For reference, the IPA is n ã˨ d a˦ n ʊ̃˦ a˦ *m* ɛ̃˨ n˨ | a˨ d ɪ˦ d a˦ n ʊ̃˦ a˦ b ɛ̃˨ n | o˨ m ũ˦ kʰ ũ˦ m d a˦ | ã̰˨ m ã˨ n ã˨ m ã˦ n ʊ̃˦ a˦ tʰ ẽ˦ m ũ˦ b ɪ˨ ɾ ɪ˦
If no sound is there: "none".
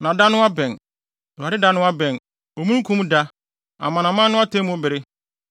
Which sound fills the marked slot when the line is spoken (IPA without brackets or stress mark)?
b